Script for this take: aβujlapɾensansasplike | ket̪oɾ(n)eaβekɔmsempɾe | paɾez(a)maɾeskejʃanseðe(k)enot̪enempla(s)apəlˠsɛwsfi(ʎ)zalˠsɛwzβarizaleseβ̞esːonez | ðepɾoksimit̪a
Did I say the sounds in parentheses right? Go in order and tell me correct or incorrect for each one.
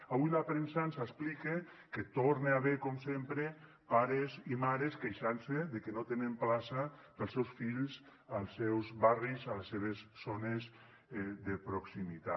correct, incorrect: i, correct, correct, correct

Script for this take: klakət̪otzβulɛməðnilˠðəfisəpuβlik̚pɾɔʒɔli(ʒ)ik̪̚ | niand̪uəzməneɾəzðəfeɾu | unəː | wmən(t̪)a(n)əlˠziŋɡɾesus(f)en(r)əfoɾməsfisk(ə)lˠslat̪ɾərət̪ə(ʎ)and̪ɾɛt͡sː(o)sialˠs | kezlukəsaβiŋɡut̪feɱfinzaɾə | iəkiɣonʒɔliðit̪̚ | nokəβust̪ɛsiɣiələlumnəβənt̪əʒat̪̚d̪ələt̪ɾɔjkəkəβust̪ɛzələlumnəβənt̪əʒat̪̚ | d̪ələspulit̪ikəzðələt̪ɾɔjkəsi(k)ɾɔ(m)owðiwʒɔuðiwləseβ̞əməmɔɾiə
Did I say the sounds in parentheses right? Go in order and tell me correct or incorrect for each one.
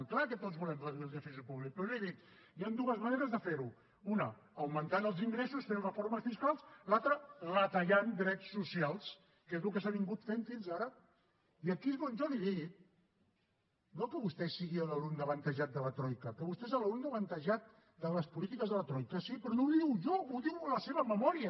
incorrect: ð, correct, correct, correct, correct, incorrect: a, correct, incorrect: u, incorrect: p, incorrect: n

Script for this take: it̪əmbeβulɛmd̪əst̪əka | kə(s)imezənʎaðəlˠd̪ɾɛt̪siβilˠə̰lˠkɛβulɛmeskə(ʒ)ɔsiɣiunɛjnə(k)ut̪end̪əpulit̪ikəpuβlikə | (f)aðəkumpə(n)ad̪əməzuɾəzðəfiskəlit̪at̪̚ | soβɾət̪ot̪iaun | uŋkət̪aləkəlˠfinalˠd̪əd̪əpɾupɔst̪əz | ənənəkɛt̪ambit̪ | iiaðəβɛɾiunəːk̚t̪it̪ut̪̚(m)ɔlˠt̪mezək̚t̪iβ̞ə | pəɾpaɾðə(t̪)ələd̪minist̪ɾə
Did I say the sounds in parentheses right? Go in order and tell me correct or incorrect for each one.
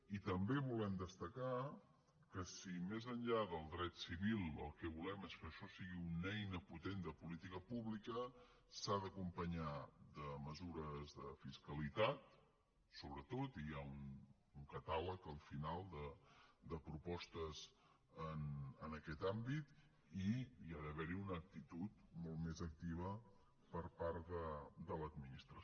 correct, incorrect: ʃ, incorrect: p, incorrect: s, incorrect: ɲ, correct, incorrect: d̪

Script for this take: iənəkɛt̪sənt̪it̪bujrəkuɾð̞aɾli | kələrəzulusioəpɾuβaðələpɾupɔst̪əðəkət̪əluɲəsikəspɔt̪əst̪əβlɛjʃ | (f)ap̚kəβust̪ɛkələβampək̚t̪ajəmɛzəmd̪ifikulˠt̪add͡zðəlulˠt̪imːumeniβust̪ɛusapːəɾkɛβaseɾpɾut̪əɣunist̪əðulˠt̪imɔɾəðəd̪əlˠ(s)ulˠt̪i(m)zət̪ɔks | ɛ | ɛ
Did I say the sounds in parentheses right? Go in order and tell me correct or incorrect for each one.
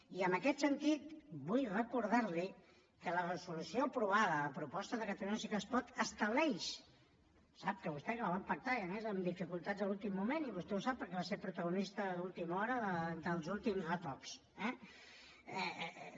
incorrect: s, incorrect: z, correct

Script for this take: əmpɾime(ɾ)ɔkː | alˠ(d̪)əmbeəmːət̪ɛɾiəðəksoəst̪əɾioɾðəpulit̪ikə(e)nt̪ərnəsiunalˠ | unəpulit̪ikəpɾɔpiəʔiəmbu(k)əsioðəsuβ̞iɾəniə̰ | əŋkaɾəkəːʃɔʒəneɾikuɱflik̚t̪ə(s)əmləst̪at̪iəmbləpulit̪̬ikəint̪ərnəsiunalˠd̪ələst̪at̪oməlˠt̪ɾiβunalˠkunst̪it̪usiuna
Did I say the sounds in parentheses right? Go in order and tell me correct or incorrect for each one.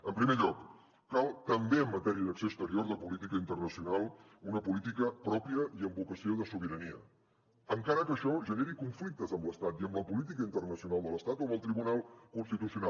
incorrect: ʎ, incorrect: t̪, incorrect: i, correct, incorrect: z

